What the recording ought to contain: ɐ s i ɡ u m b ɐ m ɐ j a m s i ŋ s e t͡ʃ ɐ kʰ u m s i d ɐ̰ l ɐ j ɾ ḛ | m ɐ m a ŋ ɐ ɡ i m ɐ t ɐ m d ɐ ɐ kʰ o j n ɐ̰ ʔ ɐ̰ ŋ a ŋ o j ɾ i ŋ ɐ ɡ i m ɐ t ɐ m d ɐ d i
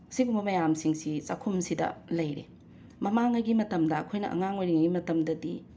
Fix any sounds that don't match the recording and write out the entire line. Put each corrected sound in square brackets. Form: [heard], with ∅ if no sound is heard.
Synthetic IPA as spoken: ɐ s i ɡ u m b ɐ m ɐ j a m s i ŋ s [i] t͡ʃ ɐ kʰ u m s i d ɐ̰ l ɐ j ɾ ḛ | m ɐ m a ŋ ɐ ɡ i m ɐ t ɐ m d ɐ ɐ kʰ o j n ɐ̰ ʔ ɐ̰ ŋ a ŋ o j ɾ i ŋ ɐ ɡ i m ɐ t ɐ m d ɐ d i